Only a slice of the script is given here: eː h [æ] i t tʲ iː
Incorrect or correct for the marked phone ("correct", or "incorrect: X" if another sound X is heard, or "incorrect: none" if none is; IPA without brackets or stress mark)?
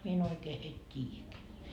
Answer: incorrect: e